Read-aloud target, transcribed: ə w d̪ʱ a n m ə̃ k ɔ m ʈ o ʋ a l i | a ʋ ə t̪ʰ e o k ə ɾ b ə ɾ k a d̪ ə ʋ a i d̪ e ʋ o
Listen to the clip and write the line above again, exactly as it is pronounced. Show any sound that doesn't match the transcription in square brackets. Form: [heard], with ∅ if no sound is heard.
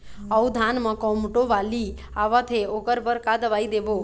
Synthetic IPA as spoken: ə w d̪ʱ a n m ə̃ k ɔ m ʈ o ʋ a l i | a ʋ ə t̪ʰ e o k ə ɾ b ə ɾ k a d̪ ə ʋ a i d̪ e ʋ o